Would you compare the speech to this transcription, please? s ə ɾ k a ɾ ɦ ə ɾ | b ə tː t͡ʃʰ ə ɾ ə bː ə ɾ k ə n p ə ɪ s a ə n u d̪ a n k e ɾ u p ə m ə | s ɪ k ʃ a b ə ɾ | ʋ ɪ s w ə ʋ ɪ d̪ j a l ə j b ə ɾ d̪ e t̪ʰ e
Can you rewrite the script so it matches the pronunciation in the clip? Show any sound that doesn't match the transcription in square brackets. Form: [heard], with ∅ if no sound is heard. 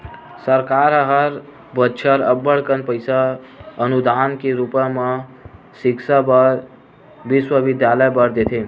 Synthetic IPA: s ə ɾ k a ɾ ɦ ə ɾ | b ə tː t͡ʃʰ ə ɾ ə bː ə [ɽ] k ə n p ə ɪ s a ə n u d̪ a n k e ɾ u p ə m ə | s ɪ k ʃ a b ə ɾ | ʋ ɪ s w ə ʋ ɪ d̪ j a l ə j b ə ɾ d̪ e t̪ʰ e